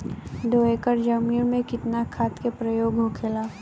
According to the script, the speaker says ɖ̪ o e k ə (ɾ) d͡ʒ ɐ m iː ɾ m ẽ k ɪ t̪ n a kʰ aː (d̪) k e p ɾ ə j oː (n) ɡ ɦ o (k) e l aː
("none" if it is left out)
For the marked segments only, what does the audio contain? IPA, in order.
ɾ, t̪, none, kʰ

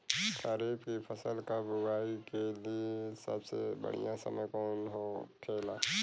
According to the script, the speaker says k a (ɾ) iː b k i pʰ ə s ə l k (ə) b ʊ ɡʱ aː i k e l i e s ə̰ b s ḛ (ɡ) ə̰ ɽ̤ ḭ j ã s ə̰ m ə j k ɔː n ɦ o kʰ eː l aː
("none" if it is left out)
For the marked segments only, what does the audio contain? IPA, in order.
ɾ, a, b

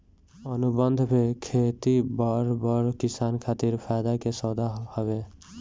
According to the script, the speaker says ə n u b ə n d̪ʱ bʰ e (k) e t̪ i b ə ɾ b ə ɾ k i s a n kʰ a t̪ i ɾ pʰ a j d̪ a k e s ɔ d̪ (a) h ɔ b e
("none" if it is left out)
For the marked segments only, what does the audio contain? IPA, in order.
kʰ, a

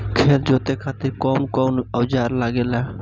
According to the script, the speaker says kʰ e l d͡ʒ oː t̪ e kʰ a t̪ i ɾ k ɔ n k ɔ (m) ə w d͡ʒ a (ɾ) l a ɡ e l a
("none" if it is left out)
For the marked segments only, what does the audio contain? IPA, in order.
n, ɾ

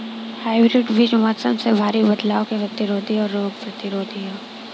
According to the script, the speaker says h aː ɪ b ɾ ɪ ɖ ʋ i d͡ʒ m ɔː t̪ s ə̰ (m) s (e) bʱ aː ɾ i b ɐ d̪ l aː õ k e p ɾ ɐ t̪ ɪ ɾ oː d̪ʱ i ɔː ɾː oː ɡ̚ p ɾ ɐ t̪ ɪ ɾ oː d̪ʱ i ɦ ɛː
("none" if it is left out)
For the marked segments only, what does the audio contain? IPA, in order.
m, e

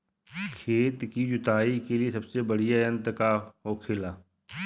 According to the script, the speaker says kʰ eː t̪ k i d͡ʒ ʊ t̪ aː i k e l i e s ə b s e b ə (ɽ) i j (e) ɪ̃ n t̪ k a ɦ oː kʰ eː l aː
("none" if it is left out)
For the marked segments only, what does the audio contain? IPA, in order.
ɽ, a

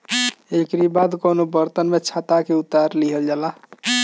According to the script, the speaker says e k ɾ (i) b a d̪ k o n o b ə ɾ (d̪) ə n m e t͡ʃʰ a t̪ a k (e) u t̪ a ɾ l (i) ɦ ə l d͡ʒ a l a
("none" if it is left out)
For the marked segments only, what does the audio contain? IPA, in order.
i, t̪, e, i

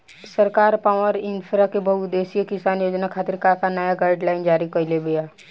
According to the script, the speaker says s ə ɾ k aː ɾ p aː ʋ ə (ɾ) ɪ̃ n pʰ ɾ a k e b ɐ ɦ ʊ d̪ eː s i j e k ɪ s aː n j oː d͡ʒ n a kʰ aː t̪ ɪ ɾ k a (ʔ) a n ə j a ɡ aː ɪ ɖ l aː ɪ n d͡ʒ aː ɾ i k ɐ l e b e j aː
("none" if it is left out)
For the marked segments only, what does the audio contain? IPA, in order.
ɾ, k

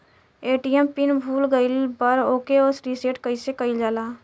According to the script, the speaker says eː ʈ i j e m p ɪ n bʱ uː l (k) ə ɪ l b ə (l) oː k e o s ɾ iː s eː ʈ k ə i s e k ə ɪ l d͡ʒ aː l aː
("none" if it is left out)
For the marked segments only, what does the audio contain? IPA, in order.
ɡ, ɾ

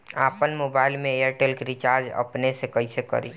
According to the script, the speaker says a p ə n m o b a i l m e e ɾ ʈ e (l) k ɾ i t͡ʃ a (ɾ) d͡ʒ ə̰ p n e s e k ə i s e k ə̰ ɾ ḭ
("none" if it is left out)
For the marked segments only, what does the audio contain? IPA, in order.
l, ɾ

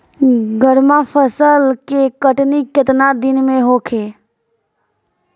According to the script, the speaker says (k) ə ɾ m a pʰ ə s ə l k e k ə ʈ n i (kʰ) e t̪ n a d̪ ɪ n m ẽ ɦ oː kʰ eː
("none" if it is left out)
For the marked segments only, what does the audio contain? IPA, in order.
ɡ, k

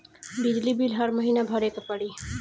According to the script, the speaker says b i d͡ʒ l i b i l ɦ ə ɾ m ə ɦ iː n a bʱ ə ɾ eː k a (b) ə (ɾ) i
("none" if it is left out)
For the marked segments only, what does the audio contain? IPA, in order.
p, ɽ

